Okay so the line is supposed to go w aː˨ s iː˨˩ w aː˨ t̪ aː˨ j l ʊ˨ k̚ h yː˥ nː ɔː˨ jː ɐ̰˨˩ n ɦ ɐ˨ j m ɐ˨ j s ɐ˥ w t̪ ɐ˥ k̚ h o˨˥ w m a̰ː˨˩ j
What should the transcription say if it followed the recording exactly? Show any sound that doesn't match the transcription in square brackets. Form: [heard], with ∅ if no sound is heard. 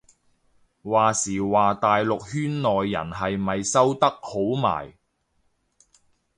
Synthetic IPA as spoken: w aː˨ s iː˨˩ w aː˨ t̪ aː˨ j l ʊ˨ k̚ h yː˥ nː ɔː˨ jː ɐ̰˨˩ n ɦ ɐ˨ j m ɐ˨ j s ɐ˥ w t̪ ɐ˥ k̚ h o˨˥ w m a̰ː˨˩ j